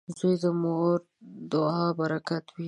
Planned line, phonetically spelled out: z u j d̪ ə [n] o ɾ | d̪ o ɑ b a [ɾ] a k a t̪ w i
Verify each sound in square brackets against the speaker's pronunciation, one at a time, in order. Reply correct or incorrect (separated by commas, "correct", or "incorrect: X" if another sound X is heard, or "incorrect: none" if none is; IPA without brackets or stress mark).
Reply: incorrect: m, correct